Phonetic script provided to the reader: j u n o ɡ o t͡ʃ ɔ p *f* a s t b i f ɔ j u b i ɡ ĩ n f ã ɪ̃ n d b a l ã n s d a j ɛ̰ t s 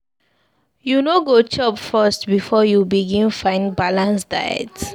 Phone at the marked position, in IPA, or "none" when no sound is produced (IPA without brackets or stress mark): f